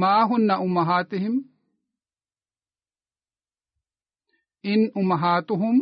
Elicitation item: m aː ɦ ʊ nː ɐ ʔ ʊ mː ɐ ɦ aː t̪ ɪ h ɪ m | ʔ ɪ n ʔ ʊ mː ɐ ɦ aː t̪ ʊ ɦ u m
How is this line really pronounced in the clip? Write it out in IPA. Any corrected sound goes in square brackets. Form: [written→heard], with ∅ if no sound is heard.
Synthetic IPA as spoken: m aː ɦ ʊ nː ɐ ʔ ʊ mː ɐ ɦ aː t̪ ɪ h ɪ m | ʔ ɪ n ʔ ʊ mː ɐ ɦ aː t̪ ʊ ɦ [u→ʊ] m